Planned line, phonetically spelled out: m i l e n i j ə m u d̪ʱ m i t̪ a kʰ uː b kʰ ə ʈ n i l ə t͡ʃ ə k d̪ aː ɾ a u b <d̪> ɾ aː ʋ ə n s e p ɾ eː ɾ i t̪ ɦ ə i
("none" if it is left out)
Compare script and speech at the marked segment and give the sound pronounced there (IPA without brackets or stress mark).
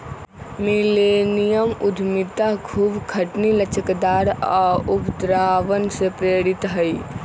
d̪